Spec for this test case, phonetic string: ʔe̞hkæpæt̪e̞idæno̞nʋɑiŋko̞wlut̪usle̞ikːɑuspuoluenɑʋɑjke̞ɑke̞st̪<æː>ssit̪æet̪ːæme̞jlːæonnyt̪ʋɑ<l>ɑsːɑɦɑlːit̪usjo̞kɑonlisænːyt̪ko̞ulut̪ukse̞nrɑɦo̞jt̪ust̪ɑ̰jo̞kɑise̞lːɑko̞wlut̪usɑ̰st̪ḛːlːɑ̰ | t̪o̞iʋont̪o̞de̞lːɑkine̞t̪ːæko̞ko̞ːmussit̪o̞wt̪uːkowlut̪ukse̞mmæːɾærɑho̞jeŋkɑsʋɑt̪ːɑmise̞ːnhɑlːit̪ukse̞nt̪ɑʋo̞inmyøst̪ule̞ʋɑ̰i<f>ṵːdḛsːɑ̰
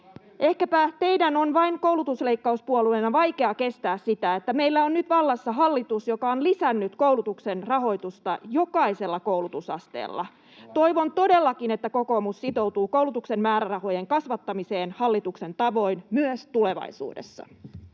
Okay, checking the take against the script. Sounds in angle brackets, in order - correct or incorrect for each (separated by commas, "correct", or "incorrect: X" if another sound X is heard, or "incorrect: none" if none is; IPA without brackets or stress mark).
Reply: correct, incorrect: lː, incorrect: s